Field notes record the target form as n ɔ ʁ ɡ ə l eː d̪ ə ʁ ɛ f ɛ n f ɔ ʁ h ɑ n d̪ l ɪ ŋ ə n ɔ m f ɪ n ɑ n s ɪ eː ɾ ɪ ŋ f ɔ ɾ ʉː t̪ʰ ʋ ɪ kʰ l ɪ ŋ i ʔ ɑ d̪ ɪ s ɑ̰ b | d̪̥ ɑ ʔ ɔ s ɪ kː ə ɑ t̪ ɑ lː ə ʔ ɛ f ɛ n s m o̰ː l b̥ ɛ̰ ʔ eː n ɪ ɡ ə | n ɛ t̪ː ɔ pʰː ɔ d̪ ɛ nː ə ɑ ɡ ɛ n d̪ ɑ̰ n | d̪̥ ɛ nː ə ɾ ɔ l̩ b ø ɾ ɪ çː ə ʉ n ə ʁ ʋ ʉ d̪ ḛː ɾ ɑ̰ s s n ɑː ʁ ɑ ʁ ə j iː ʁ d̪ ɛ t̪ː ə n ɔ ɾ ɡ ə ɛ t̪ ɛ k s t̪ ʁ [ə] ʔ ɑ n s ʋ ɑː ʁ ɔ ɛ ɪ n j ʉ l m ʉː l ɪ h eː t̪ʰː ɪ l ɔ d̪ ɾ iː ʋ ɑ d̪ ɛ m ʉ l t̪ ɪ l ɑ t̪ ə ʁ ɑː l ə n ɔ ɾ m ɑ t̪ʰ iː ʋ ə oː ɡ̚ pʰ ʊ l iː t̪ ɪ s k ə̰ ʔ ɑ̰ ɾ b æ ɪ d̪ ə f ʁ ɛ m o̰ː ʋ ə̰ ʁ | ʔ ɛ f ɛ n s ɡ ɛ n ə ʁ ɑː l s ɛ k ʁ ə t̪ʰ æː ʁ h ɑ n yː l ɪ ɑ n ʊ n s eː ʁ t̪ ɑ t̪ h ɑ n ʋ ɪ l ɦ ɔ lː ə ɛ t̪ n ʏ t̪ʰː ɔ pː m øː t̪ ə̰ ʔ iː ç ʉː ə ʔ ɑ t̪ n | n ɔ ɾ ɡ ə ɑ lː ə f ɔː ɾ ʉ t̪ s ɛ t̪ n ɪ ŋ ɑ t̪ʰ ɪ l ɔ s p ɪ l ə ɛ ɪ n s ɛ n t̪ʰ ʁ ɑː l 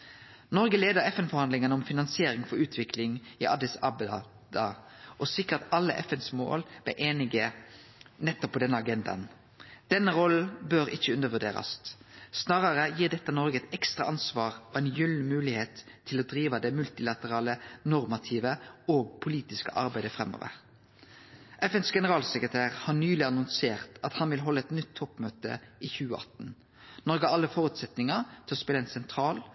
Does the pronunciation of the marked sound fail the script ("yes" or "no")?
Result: yes